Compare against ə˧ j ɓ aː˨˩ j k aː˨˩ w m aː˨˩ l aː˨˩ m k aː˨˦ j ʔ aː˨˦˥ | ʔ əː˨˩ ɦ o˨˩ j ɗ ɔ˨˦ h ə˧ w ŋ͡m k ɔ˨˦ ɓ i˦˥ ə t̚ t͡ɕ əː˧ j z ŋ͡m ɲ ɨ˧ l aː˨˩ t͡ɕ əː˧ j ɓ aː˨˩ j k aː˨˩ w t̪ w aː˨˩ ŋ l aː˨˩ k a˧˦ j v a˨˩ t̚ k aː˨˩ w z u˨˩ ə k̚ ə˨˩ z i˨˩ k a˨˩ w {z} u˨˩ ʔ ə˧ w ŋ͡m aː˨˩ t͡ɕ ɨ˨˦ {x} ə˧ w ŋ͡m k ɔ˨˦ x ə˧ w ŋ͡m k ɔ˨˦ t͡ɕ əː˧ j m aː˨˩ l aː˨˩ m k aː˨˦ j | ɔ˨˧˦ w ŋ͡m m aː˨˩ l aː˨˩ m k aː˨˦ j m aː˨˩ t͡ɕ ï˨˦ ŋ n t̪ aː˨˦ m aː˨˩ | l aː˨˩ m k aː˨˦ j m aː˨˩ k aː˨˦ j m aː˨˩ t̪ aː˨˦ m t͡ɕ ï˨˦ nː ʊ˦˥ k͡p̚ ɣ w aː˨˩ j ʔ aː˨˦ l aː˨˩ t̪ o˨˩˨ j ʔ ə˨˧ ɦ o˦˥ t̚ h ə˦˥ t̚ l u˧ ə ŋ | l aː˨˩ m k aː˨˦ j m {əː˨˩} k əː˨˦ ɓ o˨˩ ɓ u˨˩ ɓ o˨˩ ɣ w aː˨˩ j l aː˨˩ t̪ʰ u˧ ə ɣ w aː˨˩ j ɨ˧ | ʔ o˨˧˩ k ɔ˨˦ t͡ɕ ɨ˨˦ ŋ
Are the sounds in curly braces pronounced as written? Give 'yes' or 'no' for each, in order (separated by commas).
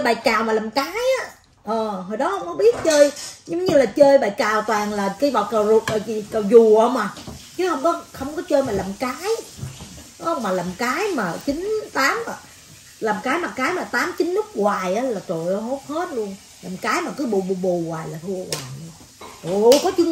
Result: yes, no, no